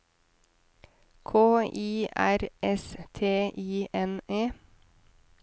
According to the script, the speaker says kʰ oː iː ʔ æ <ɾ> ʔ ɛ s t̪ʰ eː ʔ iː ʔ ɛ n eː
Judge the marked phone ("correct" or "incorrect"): correct